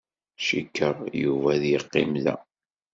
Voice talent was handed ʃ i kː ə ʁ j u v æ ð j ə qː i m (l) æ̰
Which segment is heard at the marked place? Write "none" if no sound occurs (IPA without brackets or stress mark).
l